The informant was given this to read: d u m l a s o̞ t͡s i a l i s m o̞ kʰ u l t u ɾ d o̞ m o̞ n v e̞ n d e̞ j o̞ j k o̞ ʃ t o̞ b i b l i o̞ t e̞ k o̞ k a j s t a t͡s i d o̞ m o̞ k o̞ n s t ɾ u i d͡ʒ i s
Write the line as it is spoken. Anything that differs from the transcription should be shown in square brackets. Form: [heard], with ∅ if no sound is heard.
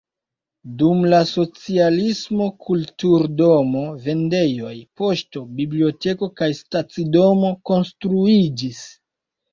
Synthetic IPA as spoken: d u m l a s o̞ t͡s i a l i s m o̞ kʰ u l t u ɾ d o̞ m o̞ [∅] v e̞ n d e̞ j o̞ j [p] o̞ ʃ t o̞ b i b l i o̞ t e̞ k o̞ k a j s t a t͡s i d o̞ m o̞ k o̞ n s t ɾ u i d͡ʒ i s